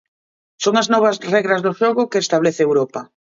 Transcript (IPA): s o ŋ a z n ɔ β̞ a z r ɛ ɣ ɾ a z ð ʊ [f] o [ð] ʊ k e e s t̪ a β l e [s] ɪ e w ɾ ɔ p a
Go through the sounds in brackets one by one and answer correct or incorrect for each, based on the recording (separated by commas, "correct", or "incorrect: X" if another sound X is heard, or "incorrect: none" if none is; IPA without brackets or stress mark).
incorrect: ʃ, incorrect: ɣ, incorrect: θ